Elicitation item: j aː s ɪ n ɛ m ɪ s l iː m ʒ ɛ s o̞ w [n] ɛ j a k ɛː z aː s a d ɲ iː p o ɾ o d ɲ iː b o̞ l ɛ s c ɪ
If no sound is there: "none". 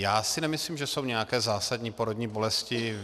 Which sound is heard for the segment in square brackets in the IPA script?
ɲ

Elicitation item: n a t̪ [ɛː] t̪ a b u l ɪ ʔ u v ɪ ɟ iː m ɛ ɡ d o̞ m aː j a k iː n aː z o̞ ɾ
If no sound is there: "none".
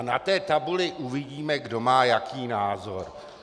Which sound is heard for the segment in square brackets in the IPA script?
ɛː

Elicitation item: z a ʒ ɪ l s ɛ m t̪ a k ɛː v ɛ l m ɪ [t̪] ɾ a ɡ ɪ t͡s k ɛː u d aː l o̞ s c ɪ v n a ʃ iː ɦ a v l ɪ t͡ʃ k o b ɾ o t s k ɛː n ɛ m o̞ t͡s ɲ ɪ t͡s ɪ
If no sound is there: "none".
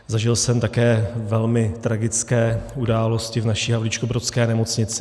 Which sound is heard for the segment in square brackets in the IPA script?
t̪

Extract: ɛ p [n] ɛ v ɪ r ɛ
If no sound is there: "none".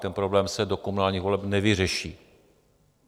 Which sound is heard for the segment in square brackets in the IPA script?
n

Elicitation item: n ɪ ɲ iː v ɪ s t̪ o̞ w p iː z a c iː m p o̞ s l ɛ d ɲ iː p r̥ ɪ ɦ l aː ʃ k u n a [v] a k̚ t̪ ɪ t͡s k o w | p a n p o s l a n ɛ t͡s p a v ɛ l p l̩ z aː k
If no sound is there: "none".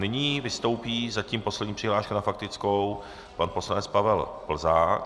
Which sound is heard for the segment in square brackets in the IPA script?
f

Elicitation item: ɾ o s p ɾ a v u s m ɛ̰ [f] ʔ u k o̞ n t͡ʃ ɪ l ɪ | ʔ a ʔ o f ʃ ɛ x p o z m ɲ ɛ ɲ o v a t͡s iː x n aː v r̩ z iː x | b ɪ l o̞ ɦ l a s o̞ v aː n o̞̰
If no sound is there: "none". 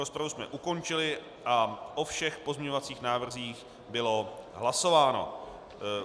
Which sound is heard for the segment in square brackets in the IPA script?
none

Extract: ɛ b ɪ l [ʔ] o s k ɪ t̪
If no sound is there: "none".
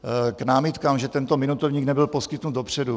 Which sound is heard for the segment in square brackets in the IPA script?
p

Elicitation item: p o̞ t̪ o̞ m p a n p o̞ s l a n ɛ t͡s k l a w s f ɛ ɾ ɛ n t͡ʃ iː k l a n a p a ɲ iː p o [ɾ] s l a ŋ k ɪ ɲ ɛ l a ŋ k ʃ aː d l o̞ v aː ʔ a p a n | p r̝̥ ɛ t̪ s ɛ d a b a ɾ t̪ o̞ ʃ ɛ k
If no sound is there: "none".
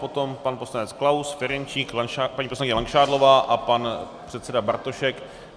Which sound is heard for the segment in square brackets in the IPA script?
none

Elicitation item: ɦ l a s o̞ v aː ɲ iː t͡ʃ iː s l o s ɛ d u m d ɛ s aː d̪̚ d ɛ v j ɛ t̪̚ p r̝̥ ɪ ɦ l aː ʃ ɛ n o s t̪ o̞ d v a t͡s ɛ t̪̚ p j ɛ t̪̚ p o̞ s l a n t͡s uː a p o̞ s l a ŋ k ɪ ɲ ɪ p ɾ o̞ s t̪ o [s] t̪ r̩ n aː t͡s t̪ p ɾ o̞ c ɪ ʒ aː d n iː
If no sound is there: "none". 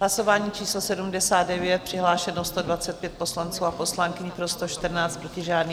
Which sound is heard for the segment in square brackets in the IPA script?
ʃ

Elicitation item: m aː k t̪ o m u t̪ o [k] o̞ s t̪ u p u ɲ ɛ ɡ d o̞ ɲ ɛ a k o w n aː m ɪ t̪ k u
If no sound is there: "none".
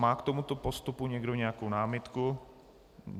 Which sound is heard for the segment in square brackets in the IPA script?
p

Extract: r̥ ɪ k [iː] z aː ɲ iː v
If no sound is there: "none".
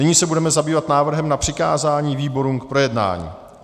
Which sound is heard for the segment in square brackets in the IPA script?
aː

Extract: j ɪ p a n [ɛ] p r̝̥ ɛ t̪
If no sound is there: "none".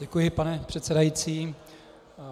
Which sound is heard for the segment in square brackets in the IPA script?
ɛ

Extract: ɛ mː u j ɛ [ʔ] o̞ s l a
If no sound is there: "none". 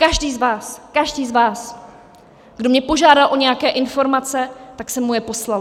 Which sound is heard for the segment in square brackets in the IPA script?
p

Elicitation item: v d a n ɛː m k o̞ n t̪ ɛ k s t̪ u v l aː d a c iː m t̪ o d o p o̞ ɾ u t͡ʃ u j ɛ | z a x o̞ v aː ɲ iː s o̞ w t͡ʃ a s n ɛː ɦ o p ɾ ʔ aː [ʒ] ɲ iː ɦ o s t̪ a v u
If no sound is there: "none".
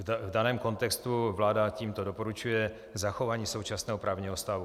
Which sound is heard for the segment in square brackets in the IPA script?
v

